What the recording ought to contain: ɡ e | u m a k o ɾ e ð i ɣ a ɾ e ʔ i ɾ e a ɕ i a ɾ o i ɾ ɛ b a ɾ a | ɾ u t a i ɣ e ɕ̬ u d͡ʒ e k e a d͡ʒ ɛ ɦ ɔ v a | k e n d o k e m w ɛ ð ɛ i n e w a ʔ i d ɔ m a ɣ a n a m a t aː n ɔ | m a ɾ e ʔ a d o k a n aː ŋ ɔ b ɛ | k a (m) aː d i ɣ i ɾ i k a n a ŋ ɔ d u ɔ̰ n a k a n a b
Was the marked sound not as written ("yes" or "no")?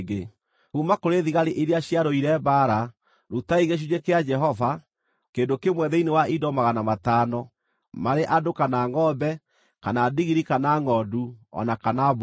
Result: yes